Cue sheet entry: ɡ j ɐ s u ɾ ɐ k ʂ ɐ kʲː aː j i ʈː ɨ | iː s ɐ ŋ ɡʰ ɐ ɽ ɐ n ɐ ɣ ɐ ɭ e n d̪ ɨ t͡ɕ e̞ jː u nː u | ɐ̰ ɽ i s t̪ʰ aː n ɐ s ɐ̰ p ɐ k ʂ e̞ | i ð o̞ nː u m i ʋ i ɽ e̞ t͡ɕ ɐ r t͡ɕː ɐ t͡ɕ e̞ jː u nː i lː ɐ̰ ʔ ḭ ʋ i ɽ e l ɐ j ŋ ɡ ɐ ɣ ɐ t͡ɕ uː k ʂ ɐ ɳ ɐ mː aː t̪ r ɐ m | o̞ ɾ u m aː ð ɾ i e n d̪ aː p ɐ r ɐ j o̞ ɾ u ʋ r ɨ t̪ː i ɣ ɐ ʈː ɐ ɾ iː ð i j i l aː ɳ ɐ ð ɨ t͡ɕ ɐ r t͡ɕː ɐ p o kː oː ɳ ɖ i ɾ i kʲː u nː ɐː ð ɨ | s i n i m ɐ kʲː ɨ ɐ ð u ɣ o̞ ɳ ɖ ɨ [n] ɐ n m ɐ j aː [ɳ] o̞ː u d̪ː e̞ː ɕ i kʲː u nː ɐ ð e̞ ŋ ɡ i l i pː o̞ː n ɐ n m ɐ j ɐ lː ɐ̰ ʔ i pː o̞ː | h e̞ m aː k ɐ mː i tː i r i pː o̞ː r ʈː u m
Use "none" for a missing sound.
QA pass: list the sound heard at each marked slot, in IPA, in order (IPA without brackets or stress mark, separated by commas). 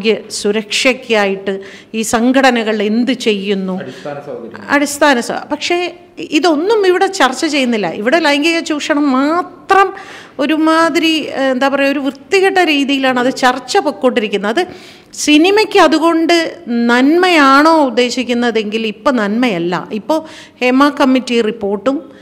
n, ɳ